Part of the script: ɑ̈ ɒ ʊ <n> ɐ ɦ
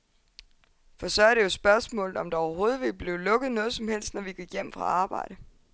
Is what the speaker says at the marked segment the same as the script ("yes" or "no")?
no